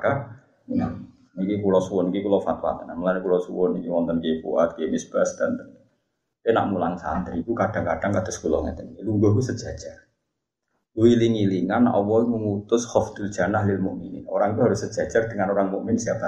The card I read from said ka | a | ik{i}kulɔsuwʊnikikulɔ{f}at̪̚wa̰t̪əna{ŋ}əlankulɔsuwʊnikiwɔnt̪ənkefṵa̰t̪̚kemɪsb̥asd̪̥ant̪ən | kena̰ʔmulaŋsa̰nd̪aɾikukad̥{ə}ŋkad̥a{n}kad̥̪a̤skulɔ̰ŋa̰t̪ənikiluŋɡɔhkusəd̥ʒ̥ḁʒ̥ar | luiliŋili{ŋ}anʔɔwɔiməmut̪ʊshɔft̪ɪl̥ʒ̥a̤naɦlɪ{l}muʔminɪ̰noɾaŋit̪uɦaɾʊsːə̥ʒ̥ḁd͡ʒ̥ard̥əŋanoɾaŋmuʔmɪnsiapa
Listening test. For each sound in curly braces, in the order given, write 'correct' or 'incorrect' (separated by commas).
correct, correct, incorrect, incorrect, incorrect, correct, correct